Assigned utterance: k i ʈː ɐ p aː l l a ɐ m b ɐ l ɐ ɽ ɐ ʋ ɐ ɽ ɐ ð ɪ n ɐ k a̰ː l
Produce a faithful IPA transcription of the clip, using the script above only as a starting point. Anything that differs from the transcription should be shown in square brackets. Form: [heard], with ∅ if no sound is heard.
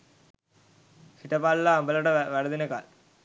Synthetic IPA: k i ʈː ɐ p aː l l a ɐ m b ɐ l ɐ ɽ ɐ ʋ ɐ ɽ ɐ ð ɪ n ɐ k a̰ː l

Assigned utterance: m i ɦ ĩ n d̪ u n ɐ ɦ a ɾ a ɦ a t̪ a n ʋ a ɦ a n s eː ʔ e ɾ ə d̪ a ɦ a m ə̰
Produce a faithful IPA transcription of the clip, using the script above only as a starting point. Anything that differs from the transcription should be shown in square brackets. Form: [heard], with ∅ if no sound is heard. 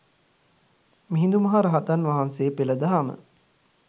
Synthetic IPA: m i ɦ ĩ n d̪ u [m] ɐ ɦ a ɾ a ɦ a t̪ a n ʋ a ɦ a n s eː [p] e [l] ə d̪ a ɦ a m ə̰

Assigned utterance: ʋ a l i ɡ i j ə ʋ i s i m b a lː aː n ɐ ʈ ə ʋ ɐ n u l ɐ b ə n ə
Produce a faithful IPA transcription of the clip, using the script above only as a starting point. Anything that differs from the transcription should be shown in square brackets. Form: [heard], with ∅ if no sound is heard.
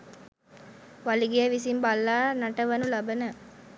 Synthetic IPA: ʋ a l i ɡ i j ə ʋ i s i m b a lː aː n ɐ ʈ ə ʋ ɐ n u l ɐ b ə n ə

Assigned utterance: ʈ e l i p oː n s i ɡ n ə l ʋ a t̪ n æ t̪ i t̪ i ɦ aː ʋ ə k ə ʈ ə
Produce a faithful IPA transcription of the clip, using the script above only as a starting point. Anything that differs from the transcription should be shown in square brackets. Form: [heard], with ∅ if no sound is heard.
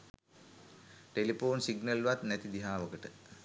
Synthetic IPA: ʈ e l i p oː n s i ɡ n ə l ʋ a t̪ n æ t̪ i [d̪] i ɦ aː ʋ ə k ə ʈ ə

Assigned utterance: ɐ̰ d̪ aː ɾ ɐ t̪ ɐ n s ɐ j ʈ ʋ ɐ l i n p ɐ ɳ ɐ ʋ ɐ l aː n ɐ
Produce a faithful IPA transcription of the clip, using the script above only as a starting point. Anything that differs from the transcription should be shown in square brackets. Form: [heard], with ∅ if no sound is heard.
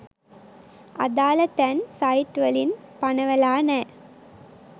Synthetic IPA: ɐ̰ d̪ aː [l] ɐ t̪ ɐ n s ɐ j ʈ ʋ ɐ l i n p ɐ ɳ ɐ ʋ ɐ l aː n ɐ

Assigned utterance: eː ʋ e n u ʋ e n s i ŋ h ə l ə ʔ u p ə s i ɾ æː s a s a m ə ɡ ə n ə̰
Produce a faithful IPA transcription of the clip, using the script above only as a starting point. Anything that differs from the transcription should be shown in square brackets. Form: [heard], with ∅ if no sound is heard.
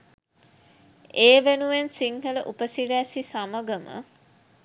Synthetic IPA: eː ʋ e n u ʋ e n s i ŋ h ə l ə ʔ u p ə s i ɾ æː s [i] s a m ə ɡ ə [m] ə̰

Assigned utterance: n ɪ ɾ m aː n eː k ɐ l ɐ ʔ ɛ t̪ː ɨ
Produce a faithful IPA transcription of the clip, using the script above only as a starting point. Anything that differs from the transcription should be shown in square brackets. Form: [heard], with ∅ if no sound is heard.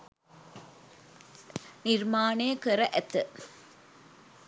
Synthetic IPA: n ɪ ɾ m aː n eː k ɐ [ɾ] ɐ ʔ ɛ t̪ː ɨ

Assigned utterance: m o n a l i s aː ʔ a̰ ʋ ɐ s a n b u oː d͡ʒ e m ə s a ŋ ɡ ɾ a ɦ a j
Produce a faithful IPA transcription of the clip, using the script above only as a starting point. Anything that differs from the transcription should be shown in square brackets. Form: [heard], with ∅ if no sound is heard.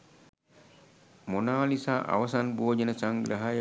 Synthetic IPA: m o n a l i s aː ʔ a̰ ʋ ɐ s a n b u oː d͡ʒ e [n] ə s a ŋ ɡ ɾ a ɦ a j

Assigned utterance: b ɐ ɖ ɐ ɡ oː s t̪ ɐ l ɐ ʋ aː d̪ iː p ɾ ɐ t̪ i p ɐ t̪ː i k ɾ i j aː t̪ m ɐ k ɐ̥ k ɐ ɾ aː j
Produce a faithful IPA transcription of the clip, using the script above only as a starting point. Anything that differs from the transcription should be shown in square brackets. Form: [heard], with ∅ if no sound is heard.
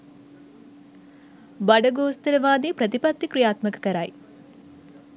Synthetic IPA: b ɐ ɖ ɐ ɡ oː s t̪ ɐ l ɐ ʋ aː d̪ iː p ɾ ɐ t̪ i p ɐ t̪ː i k ɾ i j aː t̪ m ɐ k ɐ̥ k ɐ ɾ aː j

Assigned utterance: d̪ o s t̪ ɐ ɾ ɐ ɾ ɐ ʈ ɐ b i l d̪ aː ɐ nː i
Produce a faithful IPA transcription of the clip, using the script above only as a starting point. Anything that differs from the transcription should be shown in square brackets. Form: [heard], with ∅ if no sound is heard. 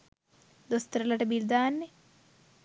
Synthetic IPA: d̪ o s t̪ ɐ ɾ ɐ [l] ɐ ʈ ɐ b i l d̪ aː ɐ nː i

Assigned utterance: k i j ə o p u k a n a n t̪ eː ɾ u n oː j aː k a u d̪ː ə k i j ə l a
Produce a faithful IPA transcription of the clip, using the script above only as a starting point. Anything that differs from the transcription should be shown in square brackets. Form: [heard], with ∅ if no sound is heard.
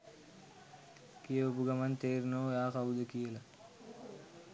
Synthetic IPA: k i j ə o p u [ɡ] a [m] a n t̪ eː ɾ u n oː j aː k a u [d̪] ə k i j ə l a

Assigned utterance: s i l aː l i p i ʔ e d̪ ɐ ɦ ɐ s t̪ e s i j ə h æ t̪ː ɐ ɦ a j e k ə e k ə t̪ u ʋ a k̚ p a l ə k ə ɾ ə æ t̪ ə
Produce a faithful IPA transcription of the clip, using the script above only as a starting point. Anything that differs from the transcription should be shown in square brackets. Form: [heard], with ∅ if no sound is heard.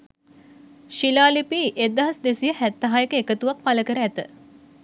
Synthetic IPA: [ʃ] i l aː l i p i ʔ e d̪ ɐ ɦ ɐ s [d̪] e s i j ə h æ t̪ː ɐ ɦ a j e k ə e k ə t̪ u ʋ a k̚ p a l ə k ə ɾ ə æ t̪ ə

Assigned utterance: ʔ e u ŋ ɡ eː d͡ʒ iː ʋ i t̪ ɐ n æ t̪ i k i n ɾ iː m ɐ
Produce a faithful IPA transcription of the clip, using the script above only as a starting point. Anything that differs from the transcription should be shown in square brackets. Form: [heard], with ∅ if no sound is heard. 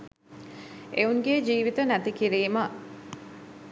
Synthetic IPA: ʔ e u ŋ ɡ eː d͡ʒ iː ʋ i t̪ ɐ n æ t̪ i k i [∅] ɾ iː m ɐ

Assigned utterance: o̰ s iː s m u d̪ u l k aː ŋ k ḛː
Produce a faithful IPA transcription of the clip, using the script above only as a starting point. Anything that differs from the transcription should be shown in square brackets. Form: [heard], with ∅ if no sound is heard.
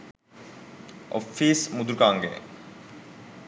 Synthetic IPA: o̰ [f] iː s m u d̪ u [ɾ] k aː ŋ [ɡ] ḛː

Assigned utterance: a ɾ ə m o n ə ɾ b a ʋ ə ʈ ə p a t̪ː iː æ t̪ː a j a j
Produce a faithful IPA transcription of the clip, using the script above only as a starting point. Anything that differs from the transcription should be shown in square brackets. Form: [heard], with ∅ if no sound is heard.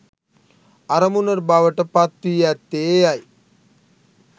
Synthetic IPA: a ɾ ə m [u] n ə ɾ b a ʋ ə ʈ ə p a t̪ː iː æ t̪ː [e] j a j

